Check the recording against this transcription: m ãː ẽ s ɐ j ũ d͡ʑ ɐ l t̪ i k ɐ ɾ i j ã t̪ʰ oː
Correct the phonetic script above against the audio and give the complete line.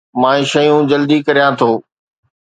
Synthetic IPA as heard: m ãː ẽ ʃ ɐ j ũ d͡ʑ ɐ l d̪ i k ɐ ɾ i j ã t̪ʰ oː